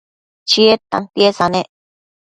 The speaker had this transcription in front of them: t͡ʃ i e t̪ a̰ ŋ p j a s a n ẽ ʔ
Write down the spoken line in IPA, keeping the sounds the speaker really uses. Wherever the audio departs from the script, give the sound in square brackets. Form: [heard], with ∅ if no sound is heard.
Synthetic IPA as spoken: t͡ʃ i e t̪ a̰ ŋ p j [e] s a n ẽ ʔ